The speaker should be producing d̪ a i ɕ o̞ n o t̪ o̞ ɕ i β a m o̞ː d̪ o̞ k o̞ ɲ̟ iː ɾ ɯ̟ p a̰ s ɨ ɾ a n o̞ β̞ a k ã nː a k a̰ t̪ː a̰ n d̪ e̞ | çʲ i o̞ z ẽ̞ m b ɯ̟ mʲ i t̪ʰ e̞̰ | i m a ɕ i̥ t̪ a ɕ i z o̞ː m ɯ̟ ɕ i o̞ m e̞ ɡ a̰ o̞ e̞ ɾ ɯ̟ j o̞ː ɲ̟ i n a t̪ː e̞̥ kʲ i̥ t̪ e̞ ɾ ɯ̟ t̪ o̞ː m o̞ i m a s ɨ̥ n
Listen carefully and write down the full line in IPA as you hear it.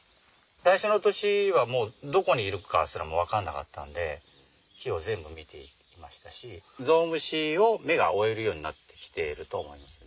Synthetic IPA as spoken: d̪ a i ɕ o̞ n o t̪ o̞ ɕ i β a m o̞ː d̪ o̞ k o̞ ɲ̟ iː ɾ ɯ̟ k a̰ s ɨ ɾ a m o̞ β̞ a k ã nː a k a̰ t̪ː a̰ n d̪ e̞ | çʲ i o̞ z ẽ̞ m b ɯ̟ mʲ i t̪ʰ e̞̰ | i m a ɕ i̥ t̪ a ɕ i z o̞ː m ɯ̟ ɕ i o̞ m e̞ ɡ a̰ o̞ e̞ ɾ ɯ̟ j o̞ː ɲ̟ i n a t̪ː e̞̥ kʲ i̥ t̪ e̞ ɾ ɯ̟ t̪ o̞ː m o̞ i m a s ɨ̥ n

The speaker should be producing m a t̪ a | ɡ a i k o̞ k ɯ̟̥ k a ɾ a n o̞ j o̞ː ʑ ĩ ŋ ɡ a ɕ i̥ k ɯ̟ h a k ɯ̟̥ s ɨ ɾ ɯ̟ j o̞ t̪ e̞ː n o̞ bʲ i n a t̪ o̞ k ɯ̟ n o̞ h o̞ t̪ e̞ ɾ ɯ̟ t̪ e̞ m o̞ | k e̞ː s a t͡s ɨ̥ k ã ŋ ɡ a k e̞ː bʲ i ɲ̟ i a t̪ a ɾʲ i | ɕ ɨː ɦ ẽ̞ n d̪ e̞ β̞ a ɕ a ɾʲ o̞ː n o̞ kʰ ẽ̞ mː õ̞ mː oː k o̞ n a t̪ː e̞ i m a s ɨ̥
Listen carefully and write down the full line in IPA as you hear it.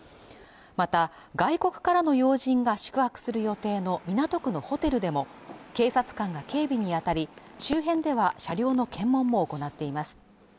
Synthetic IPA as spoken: m a t̪ a | ɡ a i k o̞ k ɯ̟̥ k a ɾ a n o̞ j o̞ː ʑ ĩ ŋ ɡ a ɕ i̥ k ɯ̟ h a k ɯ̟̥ s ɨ ɾ ɯ̟ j o̞ t̪ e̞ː n o̞ mʲ i n a t̪ o̞ k ɯ̟ n o̞ h o̞ t̪ e̞ ɾ ɯ̟ d̪ e̞ m o̞ | k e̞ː s a t͡s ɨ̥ k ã ŋ ɡ a k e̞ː bʲ i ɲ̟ i a t̪ a ɾʲ i | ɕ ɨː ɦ ẽ̞ n d̪ e̞ β̞ a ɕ a ɾʲ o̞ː n o̞ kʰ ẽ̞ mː õ̞ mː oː k o̞ n a t̪ː e̞ i m a s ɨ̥

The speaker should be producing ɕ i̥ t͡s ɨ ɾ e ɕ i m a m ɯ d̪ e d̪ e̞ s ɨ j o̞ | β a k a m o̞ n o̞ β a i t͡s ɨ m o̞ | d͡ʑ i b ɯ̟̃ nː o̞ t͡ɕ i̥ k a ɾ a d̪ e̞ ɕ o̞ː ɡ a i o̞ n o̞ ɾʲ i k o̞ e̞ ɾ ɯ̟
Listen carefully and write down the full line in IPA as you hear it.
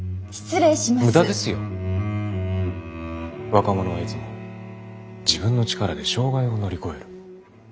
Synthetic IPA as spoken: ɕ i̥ t͡s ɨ ɾ e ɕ i m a m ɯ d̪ a d̪ e̞ s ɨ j o̞ | β a k a m o̞ n o̞ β a i t͡s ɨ m o̞ | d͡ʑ i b ɯ̟̃ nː o̞ t͡ɕ i̥ k a ɾ a d̪ e̞ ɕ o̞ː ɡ a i o̞ n o̞ ɾʲ i k o̞ e̞ ɾ ɯ̟

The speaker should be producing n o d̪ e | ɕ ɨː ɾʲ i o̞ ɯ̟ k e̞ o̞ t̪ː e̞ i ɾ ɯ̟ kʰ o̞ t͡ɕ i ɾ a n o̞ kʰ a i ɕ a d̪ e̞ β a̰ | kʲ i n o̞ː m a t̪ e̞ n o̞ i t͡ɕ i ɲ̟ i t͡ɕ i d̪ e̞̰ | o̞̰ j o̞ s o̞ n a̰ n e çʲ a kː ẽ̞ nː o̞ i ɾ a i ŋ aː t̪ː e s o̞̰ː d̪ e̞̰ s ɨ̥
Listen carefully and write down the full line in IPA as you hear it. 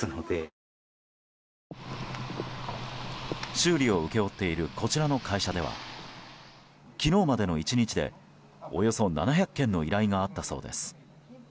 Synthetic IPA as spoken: n o d̪ e | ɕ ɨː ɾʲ i o̞ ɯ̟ k e̞ o̞ t̪ː e̞ i ɾ ɯ̟ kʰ o̞ t͡ɕ i ɾ a n o̞ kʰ a i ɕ a d̪ e̞ β a̰ | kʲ i n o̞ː m a d̪ e̞ n o̞ i t͡ɕ i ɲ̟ i t͡ɕ i d̪ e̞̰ | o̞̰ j o̞ s o̞ n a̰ n a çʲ a kː ẽ̞ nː o̞ i ɾ a i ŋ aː t̪ː a s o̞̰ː d̪ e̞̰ s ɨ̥

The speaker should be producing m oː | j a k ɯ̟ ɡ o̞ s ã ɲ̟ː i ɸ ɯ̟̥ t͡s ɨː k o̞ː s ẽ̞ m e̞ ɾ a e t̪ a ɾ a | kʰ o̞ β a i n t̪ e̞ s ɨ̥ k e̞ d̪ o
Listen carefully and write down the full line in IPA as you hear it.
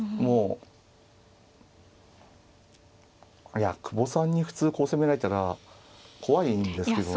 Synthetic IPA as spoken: m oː | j a k ɯ̟ b o̞ s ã ɲ̟ː i ɸ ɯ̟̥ t͡s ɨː k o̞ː s e̞ m e̞ ɾ a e t̪ a ɾ a | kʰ o̞ β a i n d̪ e̞ s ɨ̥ k e̞ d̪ o

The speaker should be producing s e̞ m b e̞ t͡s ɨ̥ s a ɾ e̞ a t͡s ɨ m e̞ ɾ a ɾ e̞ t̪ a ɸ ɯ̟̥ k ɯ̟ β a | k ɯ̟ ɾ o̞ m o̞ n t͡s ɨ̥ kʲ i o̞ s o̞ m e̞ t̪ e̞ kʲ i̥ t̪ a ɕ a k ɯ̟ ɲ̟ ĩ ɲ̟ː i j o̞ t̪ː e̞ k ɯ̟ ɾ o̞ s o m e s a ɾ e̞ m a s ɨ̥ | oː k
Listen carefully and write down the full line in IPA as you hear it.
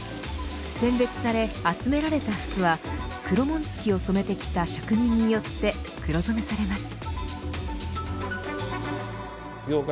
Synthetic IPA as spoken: s ẽ̞ m b e̞ t͡s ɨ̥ s a ɾ e̞ a t͡s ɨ m e̞ ɾ a ɾ e̞ t̪ a ɸ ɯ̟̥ k ɯ̟ β a | k ɯ̟ ɾ o̞ m õ̞ n t͡s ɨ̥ kʲ i o̞ s o̞ m e̞ t̪ e̞ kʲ i̥ t̪ a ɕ a k ɯ̟ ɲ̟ ĩ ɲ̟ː i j o̞ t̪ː e̞ k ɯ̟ ɾ o̞ z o m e s a ɾ e̞ m a s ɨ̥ | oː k

